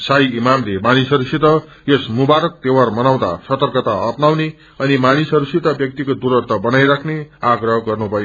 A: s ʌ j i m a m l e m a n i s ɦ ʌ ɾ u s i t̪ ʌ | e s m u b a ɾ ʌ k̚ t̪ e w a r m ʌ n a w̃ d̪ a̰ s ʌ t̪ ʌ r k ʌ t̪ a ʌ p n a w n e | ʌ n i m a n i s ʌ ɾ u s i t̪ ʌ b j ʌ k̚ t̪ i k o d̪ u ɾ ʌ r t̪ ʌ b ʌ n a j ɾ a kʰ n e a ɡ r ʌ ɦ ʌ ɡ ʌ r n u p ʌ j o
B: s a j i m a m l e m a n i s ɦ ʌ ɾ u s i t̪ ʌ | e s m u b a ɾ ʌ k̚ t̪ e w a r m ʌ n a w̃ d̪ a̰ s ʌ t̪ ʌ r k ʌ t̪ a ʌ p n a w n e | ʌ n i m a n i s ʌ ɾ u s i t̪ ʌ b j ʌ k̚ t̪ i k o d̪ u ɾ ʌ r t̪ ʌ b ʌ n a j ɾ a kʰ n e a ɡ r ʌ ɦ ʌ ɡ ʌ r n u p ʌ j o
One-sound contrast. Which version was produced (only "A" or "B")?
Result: B